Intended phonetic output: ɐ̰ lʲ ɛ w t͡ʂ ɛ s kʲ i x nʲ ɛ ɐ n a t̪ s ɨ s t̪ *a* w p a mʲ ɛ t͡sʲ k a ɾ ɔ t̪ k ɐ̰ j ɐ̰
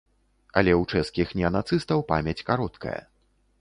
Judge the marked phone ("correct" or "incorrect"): incorrect